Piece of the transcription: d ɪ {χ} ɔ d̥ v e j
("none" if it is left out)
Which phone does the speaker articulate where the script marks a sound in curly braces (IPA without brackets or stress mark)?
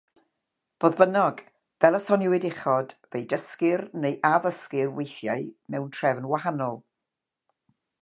χ